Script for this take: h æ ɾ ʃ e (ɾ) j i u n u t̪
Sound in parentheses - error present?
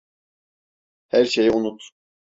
yes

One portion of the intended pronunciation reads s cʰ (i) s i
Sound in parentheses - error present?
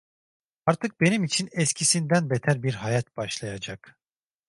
no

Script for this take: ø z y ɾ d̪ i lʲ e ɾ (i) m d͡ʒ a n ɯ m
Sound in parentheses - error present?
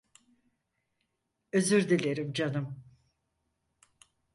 no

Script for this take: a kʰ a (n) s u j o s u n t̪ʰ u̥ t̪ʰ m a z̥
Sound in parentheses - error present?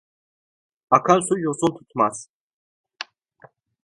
no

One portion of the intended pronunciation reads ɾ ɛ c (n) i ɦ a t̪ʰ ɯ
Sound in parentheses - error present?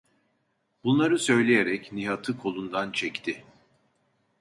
no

